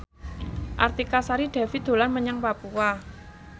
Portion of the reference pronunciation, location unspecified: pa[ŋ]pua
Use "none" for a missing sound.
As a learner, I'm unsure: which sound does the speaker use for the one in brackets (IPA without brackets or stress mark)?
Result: none